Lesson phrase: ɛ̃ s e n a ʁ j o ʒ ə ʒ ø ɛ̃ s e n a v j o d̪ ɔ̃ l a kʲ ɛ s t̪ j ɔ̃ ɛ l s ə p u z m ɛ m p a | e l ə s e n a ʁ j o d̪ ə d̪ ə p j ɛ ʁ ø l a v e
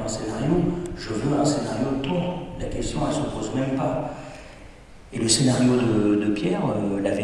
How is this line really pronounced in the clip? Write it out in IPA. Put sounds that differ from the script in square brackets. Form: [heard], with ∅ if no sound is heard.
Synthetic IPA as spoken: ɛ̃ s e n a ʁ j o ʒ ə [v] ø ɛ̃ s e n a [ʁ] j o [t̪] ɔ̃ l a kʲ ɛ s t̪ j ɔ̃ ɛ l s ə p [o] z m ɛ m p a | e l ə s e n a ʁ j o d̪ ə d̪ ə p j ɛ ʁ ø l a v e